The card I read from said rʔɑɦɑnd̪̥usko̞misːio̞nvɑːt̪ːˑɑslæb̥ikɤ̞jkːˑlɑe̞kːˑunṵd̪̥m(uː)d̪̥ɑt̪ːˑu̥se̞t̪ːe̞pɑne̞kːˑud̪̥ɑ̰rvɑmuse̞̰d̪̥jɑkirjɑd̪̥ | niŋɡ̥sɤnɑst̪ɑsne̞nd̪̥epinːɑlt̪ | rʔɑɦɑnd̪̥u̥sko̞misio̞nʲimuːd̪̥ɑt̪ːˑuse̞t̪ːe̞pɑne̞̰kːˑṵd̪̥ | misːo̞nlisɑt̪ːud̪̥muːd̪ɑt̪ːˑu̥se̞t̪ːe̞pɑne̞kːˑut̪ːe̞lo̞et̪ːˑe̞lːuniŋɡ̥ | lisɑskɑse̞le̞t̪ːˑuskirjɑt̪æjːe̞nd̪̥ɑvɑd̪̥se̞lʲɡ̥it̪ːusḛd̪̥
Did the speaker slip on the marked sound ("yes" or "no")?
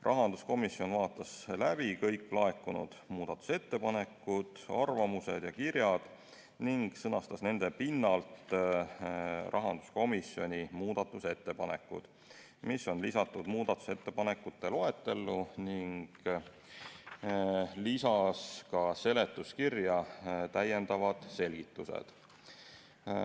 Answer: no